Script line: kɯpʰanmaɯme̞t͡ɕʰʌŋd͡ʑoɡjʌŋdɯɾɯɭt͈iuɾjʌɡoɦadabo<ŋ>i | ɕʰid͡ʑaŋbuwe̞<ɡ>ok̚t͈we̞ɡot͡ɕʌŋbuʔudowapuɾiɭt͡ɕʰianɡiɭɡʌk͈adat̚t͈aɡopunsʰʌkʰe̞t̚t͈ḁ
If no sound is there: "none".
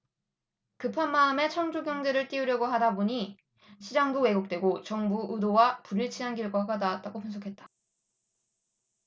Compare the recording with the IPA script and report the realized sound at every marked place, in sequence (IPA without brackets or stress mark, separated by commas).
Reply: ɲ, ɡ